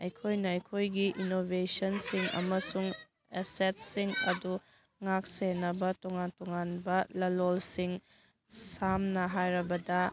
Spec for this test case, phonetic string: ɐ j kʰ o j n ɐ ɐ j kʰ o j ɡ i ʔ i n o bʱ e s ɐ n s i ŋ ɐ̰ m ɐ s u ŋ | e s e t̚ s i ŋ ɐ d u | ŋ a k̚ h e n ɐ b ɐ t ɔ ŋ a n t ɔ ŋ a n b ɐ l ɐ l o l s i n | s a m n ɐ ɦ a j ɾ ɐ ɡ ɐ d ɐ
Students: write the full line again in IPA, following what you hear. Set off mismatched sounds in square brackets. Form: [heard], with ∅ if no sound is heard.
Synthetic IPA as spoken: ɐ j kʰ o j n ɐ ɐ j kʰ o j ɡ i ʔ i n o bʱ e s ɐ n s i ŋ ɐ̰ m ɐ s u ŋ | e s e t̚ s i ŋ ɐ d u | ŋ a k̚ [s] e n ɐ b ɐ t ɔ ŋ a n t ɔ ŋ a n b ɐ l ɐ l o l s i [ŋ] | s a m n ɐ ɦ a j ɾ ɐ [b] ɐ d ɐ

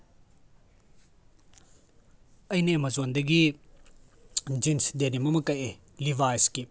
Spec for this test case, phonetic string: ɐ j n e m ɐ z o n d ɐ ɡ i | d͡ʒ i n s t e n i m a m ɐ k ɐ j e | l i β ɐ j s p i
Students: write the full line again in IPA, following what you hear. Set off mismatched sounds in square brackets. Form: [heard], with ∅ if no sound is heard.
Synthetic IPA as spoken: ɐ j n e m ɐ z o n d ɐ ɡ i | d͡ʒ i n s [d] e n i m [ɐ] m ɐ k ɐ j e | l i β [a] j s [k] i

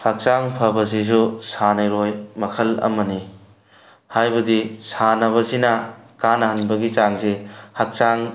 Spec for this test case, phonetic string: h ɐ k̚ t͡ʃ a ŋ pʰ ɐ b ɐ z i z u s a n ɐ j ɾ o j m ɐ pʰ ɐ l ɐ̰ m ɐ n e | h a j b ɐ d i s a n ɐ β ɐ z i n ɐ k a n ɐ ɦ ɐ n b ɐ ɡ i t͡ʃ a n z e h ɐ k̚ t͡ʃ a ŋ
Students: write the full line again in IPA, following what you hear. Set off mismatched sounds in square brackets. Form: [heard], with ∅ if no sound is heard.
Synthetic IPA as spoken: h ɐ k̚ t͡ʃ a ŋ pʰ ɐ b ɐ z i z u s a n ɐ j ɾ o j m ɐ [kʰ] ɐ l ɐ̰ m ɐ n [i] | h a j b ɐ d i s a n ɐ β ɐ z i n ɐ k a n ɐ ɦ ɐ n b ɐ ɡ i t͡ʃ a [ŋ] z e h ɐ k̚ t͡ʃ a ŋ

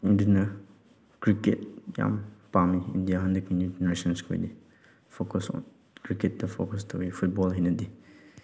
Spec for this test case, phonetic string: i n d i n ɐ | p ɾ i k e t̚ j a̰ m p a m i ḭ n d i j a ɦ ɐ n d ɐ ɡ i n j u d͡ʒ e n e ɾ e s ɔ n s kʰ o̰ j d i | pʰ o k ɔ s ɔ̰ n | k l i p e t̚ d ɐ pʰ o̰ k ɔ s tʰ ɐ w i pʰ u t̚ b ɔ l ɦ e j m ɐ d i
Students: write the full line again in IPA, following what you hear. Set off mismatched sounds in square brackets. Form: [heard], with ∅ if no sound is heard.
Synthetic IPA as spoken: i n d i n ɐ | [k] ɾ i k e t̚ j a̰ m p a m i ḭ n d i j a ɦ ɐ n d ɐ [k] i n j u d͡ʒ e n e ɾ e s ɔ n s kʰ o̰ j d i | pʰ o k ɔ s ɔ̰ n | k [ɾ] i [k] e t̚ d ɐ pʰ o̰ k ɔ s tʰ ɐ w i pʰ u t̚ b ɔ l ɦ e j [n] ɐ d i

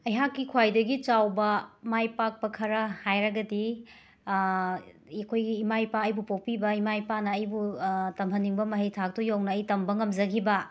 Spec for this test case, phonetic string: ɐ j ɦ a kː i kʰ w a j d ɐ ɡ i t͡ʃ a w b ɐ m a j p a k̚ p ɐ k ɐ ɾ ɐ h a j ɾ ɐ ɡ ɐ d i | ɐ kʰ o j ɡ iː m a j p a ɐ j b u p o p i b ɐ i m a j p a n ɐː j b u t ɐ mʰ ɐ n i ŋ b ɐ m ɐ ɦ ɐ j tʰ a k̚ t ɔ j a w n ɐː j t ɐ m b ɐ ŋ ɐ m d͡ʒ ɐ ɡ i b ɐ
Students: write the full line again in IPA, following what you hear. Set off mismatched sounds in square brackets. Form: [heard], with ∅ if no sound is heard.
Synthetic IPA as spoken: ɐ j ɦ a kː i kʰ w a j d ɐ ɡ i t͡ʃ a w b ɐ m a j p a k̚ p ɐ [kʰ] ɐ ɾ ɐ h a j ɾ ɐ ɡ ɐ d i | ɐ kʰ o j ɡ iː m a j p a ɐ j b u p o p i b ɐ i m a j p a n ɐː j b u t ɐ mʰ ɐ n i ŋ b ɐ m ɐ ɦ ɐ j tʰ a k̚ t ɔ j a w n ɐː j t ɐ m b ɐ ŋ ɐ m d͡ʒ ɐ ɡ i b ɐ

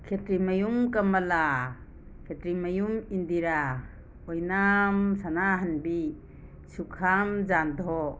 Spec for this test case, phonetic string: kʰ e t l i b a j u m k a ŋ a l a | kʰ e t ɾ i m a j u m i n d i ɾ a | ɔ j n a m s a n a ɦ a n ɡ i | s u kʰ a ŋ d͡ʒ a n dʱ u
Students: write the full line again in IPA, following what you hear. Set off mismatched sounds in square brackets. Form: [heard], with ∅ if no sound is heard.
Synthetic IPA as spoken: kʰ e t [ɾ] i [m] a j u m k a [m] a l a | kʰ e t ɾ i m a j u m i n d i ɾ a | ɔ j n a m s a n a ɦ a n [b] i | s u kʰ a [m] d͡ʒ a n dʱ [ɔ]

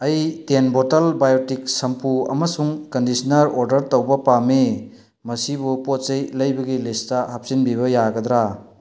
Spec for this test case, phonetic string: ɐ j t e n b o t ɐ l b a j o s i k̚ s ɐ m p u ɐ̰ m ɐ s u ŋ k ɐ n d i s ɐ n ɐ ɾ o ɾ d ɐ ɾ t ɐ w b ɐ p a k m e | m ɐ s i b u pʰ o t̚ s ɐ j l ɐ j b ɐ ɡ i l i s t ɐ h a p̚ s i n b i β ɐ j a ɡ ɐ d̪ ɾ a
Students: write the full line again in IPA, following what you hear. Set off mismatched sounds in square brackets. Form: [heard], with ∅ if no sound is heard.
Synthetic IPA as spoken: ɐ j t e n b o t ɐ l b a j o [t] i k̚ s ɐ m p u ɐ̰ m ɐ s u ŋ k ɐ n d i s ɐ n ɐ ɾ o ɾ d ɐ ɾ t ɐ w b ɐ p a [∅] m e | m ɐ s i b u [p] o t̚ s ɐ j l ɐ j b ɐ ɡ i l i s t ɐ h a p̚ s i n b i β ɐ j a ɡ ɐ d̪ ɾ a

